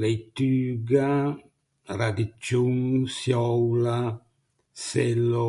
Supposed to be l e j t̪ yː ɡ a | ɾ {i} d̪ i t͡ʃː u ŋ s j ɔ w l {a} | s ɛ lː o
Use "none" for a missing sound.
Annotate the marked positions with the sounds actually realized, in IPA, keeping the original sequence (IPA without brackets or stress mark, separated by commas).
a, a